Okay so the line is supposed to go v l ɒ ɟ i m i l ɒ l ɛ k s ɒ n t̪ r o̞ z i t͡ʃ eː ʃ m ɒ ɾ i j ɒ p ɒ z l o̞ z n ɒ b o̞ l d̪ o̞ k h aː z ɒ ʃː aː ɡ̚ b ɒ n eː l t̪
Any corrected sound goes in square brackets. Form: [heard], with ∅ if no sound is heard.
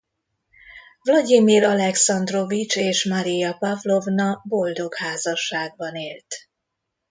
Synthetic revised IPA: v l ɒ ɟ i m i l ɒ l ɛ k s ɒ n [d̪] r o̞ [v] i t͡ʃ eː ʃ m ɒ ɾ i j ɒ p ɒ [v] l o̞ [v] n ɒ b o̞ l d̪ o̞ k h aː z ɒ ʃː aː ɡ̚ b ɒ n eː l t̪

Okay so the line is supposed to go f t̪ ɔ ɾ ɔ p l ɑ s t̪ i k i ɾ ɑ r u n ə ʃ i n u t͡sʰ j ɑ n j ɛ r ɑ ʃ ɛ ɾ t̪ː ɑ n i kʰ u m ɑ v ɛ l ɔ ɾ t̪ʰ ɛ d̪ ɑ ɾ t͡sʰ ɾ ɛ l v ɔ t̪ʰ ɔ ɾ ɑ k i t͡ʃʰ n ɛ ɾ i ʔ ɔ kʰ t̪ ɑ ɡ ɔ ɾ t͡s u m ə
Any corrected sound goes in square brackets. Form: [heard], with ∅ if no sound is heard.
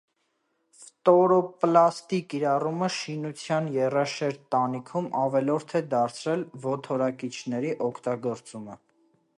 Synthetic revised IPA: f t̪ ɔ ɾ ɔ p l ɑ s t̪ i k i ɾ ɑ r u [m] ə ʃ i n u t͡sʰ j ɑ n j ɛ r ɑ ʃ ɛ ɾ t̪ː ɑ n i kʰ u m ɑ v ɛ l ɔ ɾ t̪ʰ ɛ d̪ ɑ ɾ t͡sʰ ɾ ɛ l v ɔ t̪ʰ ɔ ɾ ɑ k i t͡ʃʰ n ɛ ɾ i ʔ ɔ kʰ t̪ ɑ ɡ ɔ ɾ t͡s u m ə

